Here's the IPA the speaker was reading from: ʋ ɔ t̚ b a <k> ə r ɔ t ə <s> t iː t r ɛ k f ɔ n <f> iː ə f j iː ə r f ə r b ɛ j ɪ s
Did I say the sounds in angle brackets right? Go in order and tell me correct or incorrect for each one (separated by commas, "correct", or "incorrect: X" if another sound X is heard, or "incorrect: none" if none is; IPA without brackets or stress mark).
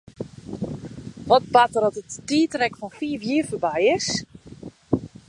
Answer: incorrect: t, incorrect: t, correct